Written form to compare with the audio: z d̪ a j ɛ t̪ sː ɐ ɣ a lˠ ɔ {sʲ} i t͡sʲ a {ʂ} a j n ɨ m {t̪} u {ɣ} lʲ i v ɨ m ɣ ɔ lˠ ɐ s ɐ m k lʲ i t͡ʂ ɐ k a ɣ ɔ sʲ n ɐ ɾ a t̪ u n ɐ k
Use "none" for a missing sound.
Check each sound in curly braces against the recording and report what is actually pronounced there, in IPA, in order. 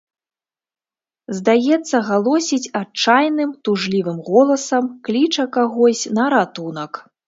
sʲ, t͡ʂ, t̪, ʐ

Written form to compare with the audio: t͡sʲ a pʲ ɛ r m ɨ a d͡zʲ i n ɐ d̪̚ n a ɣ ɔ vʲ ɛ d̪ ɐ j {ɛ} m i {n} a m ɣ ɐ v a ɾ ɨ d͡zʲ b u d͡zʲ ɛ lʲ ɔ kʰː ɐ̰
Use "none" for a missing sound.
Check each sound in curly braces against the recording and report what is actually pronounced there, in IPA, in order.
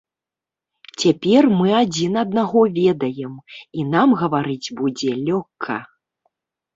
ɛ, n

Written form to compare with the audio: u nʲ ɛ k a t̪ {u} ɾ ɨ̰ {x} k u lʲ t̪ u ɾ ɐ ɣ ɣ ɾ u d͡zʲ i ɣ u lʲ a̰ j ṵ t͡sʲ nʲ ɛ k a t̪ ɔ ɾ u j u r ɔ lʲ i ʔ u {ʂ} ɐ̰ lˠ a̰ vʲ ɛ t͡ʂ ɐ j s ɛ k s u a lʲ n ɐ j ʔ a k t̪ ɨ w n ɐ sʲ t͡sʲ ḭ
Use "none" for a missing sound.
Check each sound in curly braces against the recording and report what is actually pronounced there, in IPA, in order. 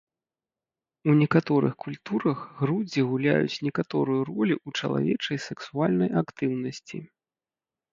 ɔ, x, t͡ʂ

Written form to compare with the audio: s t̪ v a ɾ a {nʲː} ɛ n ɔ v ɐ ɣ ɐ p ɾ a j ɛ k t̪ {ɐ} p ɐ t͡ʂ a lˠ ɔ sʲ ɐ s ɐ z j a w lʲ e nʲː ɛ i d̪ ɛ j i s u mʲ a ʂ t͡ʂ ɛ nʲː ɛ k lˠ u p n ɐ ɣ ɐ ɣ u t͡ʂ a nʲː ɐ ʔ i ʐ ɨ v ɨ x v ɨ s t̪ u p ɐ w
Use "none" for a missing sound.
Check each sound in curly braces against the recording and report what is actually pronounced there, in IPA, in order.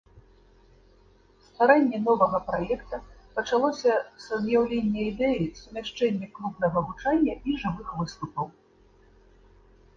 nʲː, ɐ

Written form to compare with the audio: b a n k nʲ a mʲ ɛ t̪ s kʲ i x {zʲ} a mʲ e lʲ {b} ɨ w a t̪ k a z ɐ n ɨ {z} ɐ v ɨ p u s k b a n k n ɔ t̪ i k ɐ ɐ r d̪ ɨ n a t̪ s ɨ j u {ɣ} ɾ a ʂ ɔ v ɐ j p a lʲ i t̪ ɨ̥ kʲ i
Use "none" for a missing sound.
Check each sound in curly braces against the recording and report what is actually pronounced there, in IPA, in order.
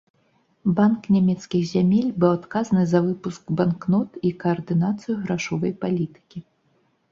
zʲ, b, z, ɣ

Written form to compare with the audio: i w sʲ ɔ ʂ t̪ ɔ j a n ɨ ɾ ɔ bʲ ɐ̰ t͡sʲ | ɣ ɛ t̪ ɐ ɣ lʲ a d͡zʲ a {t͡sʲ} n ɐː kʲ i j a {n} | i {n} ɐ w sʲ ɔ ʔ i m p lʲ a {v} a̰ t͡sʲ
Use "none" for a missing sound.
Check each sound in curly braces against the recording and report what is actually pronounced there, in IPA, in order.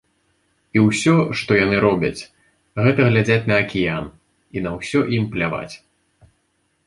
t͡sʲ, n, n, v

